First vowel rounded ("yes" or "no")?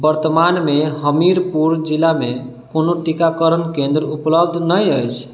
no